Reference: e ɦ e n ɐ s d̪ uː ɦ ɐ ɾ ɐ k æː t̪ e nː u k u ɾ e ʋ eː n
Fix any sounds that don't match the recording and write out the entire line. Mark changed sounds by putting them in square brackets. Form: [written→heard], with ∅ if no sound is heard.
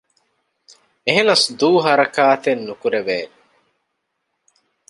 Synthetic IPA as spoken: e ɦ e n ɐ s d̪ uː ɦ ɐ ɾ ɐ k [æː→aː] t̪ e nː u k u ɾ e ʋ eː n